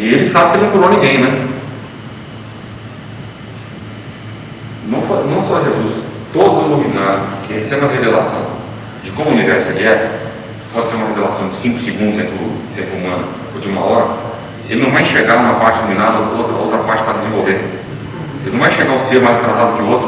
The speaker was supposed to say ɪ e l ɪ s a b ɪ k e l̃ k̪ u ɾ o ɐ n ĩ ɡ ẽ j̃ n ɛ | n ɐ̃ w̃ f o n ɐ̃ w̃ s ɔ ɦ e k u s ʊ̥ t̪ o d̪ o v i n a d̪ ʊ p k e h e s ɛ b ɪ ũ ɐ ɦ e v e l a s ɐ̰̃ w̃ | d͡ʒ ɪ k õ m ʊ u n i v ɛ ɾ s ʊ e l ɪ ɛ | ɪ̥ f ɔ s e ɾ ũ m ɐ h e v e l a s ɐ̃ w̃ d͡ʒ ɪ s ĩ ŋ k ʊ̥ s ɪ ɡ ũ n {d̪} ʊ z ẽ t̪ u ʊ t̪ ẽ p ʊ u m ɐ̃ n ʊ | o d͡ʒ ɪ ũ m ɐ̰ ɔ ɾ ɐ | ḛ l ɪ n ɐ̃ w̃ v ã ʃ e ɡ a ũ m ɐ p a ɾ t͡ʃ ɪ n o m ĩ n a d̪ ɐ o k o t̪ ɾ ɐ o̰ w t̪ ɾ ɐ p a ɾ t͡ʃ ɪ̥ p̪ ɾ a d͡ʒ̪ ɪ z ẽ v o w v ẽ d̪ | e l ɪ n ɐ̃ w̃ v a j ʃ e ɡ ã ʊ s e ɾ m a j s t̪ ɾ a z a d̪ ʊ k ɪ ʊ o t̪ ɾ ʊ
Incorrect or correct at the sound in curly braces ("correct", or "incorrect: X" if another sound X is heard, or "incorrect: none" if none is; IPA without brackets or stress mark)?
correct